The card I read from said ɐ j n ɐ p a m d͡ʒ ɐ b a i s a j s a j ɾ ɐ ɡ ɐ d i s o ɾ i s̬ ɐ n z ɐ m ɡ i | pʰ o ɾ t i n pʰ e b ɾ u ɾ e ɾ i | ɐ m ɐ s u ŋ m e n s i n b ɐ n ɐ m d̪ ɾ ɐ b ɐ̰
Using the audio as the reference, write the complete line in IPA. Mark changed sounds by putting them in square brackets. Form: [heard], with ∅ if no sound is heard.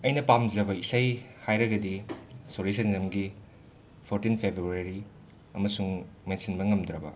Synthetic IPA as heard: ɐ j n ɐ p a m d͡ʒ ɐ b [ɐ] i s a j [h] a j ɾ ɐ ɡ ɐ d i s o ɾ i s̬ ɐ n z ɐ m ɡ i | pʰ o ɾ t i n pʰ e b ɾ u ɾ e ɾ i | ɐ m ɐ s u ŋ m e n s i n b ɐ [ŋ] ɐ m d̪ ɾ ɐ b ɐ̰